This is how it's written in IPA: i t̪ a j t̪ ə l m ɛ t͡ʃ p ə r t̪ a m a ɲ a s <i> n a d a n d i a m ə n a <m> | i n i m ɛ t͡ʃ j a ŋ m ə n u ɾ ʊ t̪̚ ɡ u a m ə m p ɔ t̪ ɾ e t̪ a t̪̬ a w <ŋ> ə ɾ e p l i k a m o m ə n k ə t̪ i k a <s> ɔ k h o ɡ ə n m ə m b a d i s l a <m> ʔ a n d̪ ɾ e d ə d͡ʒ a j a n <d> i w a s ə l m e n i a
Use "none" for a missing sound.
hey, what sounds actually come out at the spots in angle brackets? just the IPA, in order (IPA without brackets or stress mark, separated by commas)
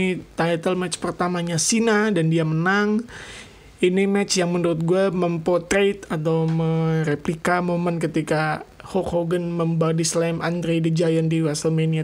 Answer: i, ŋ, m, h, m, d